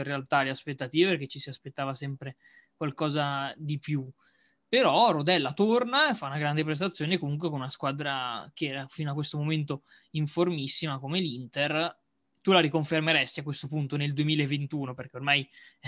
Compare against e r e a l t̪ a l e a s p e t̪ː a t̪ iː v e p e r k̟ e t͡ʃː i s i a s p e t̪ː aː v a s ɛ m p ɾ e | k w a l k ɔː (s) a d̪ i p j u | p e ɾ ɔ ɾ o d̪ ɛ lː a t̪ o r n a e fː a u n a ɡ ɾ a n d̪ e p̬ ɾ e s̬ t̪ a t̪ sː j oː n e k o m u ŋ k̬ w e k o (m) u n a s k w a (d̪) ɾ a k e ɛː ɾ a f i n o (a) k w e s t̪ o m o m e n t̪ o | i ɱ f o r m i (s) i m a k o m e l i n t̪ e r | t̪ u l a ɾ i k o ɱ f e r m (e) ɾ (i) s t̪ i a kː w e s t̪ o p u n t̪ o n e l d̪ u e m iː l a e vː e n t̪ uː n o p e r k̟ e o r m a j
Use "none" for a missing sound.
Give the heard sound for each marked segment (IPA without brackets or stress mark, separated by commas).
z, n, d̪, a, sː, e, ɛ